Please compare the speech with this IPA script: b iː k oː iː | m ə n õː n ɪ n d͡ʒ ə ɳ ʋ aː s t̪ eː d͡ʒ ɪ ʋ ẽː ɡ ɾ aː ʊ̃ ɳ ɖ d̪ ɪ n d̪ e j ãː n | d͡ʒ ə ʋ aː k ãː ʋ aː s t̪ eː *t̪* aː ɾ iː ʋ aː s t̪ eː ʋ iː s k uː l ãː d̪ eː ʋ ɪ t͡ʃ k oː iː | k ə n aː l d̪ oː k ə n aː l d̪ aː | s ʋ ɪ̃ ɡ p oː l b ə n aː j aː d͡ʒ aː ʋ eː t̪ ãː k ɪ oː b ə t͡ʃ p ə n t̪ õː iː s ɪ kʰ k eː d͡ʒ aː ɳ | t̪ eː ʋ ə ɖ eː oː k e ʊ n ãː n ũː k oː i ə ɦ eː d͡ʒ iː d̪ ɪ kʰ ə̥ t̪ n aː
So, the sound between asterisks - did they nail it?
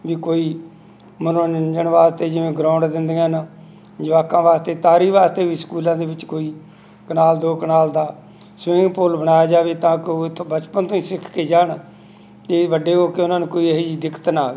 yes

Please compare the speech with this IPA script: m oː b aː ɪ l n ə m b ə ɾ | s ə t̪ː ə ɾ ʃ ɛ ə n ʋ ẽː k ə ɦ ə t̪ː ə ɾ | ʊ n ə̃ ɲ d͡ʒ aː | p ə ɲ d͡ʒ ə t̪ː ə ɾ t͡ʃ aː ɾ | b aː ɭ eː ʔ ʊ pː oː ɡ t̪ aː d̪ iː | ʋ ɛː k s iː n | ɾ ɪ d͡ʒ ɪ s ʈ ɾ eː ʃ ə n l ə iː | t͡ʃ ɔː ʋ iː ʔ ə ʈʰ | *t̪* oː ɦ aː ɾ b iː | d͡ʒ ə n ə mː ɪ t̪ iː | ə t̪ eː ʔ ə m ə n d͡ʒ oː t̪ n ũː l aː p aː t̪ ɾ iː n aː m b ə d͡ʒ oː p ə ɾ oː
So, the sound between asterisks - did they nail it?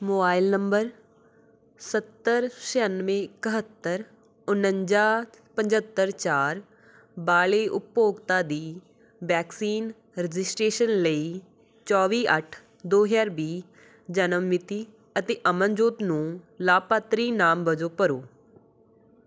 no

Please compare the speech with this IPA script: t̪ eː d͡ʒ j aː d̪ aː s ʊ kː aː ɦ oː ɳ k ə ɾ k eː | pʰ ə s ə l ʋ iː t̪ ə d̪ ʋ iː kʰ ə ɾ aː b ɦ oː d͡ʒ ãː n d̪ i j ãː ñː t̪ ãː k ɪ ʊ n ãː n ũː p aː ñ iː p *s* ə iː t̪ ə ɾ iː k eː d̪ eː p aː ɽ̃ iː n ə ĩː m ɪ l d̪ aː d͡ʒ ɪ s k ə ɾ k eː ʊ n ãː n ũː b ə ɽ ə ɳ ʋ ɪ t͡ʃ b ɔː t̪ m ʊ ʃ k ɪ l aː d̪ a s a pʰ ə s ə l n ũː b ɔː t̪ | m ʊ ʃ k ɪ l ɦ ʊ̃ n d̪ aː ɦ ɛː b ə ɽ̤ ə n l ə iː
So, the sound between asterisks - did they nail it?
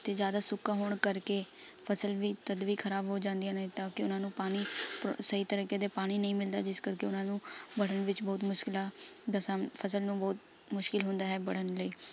yes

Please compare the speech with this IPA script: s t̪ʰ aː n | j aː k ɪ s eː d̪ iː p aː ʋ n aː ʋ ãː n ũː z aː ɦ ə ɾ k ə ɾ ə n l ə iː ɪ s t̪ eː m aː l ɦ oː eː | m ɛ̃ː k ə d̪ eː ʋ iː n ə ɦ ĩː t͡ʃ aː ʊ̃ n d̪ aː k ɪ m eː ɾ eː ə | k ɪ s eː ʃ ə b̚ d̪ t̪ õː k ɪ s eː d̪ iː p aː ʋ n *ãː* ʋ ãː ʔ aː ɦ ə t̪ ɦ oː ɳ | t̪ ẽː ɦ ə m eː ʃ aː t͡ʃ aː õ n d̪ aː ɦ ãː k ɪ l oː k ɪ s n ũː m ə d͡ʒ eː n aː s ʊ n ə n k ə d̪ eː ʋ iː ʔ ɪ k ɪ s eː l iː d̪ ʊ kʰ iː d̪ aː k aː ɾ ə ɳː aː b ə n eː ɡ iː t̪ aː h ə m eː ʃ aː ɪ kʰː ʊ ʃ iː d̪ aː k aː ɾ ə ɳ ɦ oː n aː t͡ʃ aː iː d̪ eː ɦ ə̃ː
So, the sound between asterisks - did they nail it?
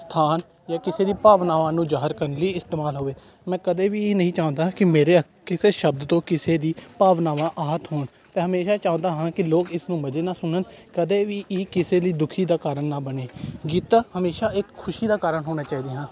no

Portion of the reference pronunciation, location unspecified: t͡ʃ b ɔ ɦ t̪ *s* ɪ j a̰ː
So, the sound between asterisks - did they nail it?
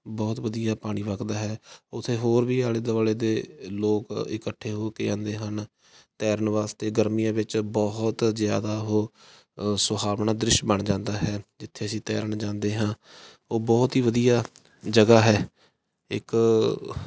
no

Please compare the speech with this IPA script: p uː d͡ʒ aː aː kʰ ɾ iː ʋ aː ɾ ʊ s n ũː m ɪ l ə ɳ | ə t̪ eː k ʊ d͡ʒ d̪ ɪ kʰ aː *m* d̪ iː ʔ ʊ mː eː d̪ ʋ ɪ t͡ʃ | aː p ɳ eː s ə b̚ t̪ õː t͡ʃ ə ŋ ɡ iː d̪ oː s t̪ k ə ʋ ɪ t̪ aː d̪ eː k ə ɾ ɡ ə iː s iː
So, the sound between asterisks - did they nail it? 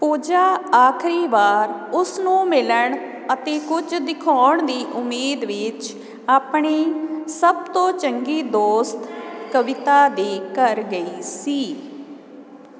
no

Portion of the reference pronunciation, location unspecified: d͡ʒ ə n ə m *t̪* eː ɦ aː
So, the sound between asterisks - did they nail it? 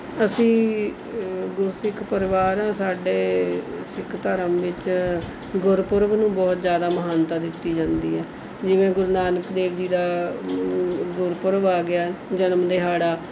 no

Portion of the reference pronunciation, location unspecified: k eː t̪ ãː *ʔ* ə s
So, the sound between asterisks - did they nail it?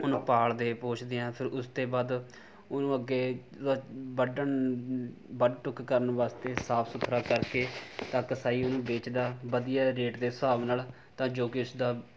no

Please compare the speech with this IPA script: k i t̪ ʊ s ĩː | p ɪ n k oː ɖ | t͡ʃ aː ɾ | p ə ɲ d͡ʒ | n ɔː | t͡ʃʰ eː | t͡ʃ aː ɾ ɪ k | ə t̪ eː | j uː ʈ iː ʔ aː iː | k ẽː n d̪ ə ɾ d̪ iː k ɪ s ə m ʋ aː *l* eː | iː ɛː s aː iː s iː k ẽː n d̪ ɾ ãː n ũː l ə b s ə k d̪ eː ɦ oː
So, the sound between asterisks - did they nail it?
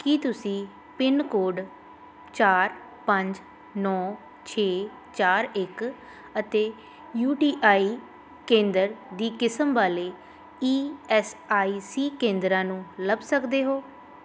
yes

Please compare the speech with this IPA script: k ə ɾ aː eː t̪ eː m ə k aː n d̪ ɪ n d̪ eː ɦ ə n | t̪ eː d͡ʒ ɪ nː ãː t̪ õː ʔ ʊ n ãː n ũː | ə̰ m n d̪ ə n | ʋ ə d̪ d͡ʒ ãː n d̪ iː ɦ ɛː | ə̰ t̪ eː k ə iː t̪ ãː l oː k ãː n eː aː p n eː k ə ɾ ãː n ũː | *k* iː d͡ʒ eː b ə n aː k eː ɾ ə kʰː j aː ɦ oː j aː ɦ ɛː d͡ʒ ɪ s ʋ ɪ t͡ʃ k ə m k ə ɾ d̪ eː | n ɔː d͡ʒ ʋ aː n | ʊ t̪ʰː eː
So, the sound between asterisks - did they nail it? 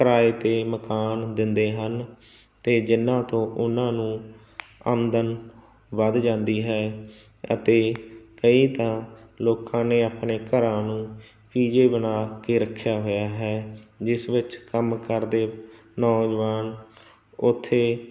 no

